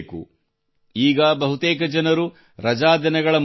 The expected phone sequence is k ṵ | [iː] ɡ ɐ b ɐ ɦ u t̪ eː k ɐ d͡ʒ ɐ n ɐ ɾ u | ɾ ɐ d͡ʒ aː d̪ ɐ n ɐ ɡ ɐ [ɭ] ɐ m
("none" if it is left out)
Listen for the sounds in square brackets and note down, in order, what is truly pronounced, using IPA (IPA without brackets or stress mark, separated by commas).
iː, ɭ